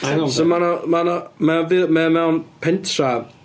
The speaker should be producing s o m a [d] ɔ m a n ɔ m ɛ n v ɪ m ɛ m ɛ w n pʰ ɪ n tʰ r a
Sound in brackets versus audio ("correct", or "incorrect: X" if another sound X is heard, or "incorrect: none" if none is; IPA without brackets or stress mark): incorrect: n